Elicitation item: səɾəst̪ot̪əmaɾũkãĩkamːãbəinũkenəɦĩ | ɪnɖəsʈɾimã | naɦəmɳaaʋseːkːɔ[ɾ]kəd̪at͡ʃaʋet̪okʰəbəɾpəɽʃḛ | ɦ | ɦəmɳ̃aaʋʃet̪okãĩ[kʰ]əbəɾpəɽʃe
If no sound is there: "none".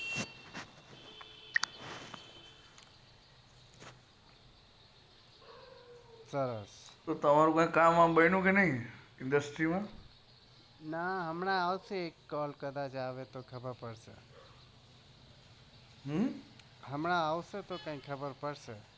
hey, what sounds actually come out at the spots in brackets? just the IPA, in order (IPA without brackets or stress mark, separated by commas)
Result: l, kʰ